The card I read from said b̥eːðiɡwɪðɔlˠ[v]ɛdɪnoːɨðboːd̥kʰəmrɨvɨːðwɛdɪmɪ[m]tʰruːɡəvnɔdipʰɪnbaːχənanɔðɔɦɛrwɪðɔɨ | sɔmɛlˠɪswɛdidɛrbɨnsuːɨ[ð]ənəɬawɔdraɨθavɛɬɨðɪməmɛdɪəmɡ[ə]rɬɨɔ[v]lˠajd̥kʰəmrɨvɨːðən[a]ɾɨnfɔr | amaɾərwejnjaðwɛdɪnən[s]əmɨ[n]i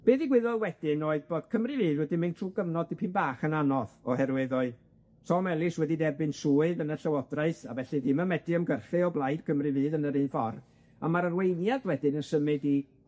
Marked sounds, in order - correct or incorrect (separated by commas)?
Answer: incorrect, incorrect, correct, correct, incorrect, incorrect, correct, incorrect